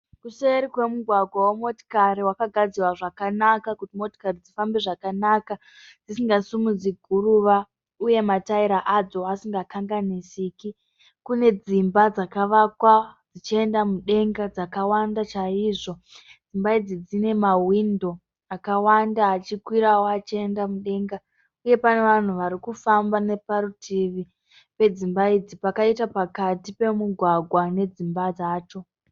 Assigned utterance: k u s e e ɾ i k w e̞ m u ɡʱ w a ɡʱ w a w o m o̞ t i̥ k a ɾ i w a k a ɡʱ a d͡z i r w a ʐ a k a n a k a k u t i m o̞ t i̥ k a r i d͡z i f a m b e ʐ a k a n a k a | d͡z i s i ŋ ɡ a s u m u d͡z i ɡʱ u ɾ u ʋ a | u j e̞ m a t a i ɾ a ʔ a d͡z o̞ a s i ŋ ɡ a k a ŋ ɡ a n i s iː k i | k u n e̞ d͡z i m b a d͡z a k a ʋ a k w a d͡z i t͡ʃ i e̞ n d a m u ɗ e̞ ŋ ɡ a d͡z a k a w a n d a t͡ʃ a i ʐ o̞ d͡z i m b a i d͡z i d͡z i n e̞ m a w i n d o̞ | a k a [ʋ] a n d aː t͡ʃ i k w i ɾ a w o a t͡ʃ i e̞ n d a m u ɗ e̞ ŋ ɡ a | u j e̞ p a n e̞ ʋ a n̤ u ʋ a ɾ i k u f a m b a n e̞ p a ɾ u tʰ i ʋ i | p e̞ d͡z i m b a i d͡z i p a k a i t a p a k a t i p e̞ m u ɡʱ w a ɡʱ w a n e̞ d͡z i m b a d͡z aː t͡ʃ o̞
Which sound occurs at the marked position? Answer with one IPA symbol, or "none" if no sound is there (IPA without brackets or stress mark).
w